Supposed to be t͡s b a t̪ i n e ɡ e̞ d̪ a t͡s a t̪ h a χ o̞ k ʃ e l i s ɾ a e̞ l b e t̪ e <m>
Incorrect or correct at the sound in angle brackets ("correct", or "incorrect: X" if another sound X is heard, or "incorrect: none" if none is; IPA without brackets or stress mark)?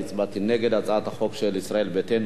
incorrect: n